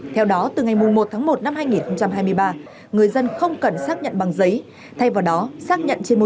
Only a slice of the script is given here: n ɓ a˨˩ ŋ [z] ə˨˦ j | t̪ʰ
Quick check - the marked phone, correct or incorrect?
correct